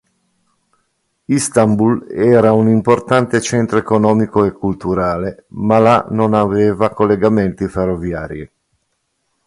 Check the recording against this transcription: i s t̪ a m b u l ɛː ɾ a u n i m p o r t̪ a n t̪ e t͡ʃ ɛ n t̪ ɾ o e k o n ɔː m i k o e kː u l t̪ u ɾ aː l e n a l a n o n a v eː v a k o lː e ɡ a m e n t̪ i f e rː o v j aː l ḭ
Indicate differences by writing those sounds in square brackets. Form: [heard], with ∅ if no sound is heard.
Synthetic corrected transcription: i s t̪ a m b u l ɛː ɾ a u n i m p o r t̪ a n t̪ e t͡ʃ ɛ n t̪ ɾ o e k o n ɔː m i k o e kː u l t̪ u ɾ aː l e [m] a l a n o n a v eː v a k o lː e ɡ a m e n t̪ i f e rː o v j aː [ɾ] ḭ